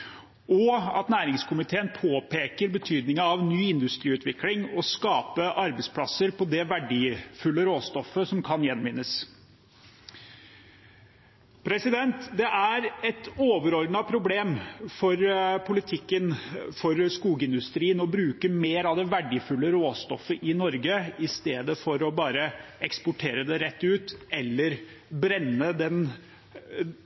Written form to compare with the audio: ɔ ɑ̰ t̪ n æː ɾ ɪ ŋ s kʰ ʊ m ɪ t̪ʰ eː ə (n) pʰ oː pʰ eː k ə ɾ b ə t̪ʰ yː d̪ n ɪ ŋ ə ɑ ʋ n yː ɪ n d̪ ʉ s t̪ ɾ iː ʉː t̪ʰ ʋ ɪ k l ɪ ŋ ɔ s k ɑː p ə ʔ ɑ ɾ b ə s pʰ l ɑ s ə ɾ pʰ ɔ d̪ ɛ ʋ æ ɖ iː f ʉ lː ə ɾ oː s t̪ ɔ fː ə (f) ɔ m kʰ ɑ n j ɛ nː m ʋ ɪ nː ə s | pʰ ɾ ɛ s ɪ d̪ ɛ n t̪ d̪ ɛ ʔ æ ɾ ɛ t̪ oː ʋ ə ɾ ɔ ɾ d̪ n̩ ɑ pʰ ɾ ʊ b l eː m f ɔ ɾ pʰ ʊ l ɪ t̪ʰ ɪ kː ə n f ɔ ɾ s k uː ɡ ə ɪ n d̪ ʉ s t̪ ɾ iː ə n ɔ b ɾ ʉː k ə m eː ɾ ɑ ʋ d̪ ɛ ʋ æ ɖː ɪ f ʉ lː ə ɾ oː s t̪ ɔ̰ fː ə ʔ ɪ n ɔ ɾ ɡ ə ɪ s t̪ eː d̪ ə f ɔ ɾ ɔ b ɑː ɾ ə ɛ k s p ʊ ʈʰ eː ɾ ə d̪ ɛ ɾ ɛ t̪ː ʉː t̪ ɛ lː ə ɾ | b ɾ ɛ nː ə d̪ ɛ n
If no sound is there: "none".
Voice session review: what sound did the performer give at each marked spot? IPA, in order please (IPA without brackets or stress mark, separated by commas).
n, s